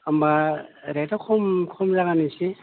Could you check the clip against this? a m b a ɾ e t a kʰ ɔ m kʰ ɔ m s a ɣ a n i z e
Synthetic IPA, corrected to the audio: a m b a ɾ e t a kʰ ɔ m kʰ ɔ m z a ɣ a n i s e